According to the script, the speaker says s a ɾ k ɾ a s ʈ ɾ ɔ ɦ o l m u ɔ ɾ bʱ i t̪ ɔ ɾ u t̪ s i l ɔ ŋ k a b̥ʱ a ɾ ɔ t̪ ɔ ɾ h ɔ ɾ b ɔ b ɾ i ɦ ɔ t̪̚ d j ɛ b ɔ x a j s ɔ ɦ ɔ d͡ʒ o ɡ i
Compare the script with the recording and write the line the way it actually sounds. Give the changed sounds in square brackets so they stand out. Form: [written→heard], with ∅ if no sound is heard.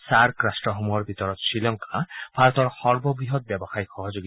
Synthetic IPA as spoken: s a ɾ k ɾ a s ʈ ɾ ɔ ɦ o [l→∅] m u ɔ ɾ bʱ i t̪ ɔ ɾ [u→ɔ] t̪ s i l ɔ ŋ k a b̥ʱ a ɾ ɔ t̪ ɔ ɾ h ɔ ɾ b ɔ b ɾ i ɦ ɔ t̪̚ [d→b] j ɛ b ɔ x a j [s→x] ɔ ɦ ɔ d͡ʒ o ɡ i